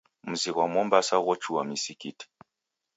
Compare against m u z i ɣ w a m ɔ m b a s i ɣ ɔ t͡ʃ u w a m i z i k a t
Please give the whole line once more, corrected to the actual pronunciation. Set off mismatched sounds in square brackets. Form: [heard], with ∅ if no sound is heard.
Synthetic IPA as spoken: m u z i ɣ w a m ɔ m b a s [a] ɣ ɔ t͡ʃ u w a m i [s] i k [i] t